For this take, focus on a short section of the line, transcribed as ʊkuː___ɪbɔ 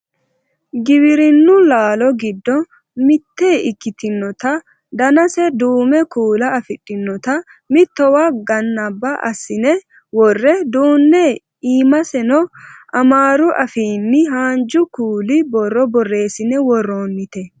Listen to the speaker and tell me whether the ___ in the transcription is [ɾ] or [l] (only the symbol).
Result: l